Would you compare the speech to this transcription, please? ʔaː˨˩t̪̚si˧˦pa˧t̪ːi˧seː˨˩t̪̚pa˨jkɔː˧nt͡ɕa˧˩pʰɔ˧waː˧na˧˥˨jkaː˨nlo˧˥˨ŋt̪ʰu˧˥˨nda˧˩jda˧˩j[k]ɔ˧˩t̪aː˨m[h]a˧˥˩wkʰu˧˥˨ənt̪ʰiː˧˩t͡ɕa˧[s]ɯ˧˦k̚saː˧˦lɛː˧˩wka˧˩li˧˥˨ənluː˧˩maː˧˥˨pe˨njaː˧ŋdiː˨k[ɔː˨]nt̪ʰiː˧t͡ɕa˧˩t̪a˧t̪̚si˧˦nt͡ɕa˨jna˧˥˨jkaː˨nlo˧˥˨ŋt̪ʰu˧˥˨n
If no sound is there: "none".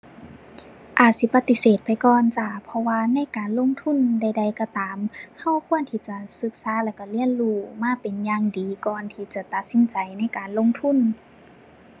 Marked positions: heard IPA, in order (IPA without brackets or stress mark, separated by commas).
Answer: k, h, s, ɔː˨